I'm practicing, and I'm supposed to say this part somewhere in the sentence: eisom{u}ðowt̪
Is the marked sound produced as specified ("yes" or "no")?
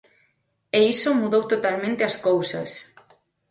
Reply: yes